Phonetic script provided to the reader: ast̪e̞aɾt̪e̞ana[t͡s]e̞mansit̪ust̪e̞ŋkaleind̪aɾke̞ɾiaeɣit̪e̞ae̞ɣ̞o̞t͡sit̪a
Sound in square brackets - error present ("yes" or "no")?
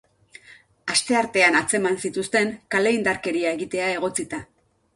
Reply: no